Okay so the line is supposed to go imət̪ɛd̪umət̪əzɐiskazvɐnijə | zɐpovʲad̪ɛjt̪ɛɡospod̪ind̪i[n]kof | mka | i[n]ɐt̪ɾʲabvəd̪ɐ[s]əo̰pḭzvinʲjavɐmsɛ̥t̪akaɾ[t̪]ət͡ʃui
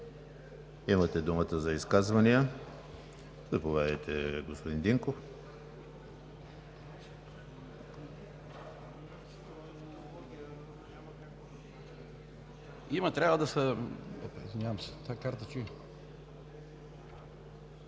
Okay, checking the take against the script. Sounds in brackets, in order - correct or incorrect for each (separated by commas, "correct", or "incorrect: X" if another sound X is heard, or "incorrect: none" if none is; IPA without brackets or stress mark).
incorrect: ŋ, incorrect: m, correct, correct